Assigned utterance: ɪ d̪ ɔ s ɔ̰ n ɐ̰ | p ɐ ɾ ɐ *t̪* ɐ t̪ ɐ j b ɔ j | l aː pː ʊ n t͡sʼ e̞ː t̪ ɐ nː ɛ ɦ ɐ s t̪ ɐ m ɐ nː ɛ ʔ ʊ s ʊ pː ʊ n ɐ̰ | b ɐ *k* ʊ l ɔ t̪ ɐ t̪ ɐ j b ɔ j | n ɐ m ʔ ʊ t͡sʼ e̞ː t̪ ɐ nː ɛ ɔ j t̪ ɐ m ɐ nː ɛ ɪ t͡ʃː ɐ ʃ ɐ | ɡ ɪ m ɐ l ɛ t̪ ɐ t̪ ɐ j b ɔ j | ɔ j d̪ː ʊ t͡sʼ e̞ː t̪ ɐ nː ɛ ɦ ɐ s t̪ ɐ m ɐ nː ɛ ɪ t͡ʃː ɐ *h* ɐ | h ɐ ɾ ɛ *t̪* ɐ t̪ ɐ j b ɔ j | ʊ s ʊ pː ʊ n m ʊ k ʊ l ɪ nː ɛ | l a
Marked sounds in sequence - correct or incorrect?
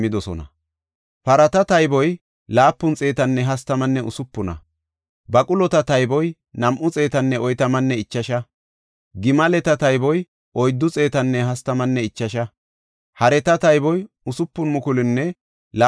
correct, incorrect: kʼ, incorrect: ʃ, correct

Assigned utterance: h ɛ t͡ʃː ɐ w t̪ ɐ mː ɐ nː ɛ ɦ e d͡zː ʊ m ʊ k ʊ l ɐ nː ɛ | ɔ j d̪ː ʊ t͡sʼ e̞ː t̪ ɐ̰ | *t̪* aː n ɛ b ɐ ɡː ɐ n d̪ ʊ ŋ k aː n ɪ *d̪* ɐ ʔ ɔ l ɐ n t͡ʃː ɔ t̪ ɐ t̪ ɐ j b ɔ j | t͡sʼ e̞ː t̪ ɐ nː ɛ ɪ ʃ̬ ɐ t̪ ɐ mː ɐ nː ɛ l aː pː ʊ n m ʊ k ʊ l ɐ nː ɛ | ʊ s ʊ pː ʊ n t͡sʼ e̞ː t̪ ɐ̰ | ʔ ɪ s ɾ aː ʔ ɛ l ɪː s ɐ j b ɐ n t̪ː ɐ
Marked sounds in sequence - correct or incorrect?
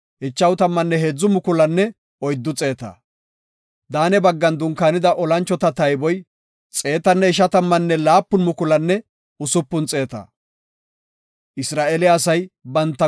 incorrect: d̪, correct

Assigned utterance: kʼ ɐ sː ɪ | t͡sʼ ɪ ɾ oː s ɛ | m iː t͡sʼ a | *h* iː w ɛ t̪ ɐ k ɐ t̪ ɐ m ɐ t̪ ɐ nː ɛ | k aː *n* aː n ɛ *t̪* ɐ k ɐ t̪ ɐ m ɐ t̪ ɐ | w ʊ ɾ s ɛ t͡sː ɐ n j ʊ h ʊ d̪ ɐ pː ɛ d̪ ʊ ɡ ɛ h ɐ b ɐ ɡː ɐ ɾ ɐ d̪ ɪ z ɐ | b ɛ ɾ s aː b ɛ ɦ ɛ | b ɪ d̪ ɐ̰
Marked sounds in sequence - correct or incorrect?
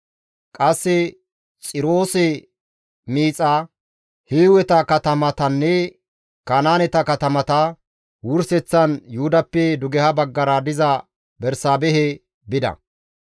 correct, correct, correct

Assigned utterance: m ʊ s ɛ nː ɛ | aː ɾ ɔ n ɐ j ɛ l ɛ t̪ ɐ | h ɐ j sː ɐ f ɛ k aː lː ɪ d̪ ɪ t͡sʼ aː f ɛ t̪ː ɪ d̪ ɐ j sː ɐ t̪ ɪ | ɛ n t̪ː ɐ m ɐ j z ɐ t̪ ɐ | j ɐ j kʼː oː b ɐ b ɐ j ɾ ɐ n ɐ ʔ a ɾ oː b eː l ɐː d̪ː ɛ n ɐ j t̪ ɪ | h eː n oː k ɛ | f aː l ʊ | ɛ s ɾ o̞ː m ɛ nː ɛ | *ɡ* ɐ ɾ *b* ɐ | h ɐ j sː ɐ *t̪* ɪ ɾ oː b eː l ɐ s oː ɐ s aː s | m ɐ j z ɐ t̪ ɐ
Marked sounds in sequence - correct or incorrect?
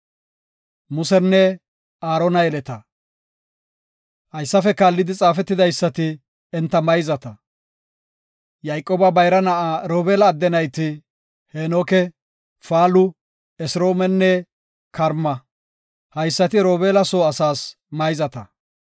incorrect: k, incorrect: m, correct

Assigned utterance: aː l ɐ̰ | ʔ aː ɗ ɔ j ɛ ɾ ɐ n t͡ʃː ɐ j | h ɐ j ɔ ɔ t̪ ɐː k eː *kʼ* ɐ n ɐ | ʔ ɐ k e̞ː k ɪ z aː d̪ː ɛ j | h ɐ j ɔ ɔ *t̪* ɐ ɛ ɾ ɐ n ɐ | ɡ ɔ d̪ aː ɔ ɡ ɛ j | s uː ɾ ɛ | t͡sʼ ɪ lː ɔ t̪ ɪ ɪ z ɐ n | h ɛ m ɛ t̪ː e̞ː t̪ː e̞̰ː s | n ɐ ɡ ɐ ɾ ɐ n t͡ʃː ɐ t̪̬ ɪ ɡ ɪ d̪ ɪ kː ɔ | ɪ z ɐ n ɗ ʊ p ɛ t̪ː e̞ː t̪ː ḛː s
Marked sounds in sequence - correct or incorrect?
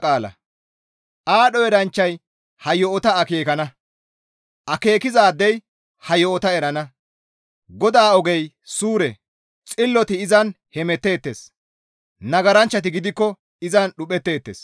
incorrect: k, correct

